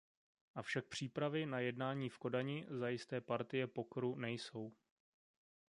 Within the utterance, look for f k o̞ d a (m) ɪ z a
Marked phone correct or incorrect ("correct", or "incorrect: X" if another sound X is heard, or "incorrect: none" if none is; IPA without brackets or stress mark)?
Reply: incorrect: ɲ